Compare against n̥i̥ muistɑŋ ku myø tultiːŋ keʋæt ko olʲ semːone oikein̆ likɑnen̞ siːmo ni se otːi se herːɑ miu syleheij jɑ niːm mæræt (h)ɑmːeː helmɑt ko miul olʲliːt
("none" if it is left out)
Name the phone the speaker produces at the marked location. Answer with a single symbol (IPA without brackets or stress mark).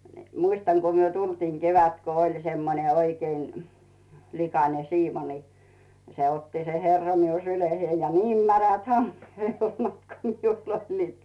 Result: h